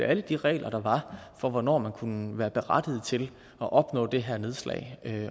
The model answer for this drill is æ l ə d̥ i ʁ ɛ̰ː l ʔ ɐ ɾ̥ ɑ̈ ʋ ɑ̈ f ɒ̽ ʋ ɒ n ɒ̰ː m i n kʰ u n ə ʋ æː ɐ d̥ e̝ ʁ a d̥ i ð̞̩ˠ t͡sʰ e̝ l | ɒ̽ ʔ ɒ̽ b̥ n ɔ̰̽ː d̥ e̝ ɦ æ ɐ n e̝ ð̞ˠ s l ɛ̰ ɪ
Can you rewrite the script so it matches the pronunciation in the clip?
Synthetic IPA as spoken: æ l ə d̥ i ʁ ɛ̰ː l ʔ ɐ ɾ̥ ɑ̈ ʋ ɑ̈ f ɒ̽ ʋ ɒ n ɒ̰ː m æ n kʰ u n ə ʋ æː ɐ b̥ e̝ ʁ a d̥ i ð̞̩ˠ t͡sʰ e̝ l | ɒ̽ ʔ ɒ̽ b̥ n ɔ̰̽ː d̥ e̝ ɦ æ ɐ n e̝ ð̞ˠ s l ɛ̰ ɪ